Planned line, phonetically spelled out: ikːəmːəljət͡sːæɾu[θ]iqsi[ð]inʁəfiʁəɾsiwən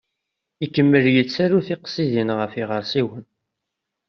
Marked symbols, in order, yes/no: yes, yes

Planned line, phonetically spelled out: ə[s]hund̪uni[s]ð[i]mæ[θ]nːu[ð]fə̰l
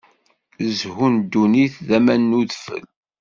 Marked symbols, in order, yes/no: no, no, no, no, yes

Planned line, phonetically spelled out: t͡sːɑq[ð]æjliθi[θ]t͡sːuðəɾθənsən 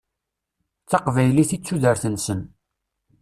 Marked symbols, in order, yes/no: no, no

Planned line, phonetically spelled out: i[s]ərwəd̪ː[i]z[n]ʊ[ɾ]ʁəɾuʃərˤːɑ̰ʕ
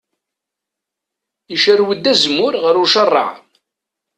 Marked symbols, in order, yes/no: no, no, no, yes

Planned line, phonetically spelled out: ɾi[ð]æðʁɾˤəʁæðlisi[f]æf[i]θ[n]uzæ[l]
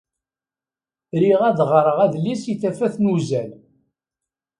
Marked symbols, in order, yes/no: no, no, no, yes, yes

